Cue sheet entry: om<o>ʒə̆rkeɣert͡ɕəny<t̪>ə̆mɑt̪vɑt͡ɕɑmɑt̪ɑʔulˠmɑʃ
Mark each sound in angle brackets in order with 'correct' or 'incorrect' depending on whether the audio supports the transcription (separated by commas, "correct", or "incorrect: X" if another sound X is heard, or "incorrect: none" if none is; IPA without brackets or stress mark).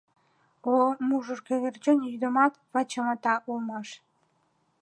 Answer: incorrect: u, incorrect: d̪